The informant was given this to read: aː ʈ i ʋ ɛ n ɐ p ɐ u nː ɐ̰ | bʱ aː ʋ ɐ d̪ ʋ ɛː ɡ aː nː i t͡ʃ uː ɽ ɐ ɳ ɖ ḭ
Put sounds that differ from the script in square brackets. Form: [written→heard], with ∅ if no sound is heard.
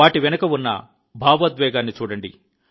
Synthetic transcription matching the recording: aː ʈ i ʋ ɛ n ɐ [p→k] ɐ u nː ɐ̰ | bʱ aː ʋ ɐ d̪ ʋ ɛː ɡ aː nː i t͡ʃ uː ɽ ɐ ɳ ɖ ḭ